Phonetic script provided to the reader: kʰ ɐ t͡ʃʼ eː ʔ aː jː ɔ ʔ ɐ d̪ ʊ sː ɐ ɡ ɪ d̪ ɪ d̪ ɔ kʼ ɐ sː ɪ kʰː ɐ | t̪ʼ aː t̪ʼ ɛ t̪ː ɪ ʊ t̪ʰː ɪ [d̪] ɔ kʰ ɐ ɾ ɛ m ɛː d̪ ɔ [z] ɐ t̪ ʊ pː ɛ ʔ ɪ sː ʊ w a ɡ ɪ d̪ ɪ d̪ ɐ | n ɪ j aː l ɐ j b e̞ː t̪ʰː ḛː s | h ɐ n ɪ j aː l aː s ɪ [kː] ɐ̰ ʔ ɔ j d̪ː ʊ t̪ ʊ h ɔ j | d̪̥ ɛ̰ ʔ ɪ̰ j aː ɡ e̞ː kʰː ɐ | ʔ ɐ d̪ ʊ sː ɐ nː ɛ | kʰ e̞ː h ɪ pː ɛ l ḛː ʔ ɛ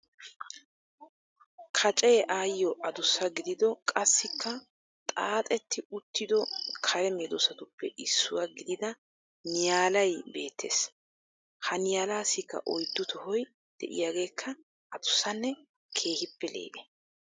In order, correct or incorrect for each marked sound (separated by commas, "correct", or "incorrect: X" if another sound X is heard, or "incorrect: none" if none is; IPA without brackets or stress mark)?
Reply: correct, incorrect: s, correct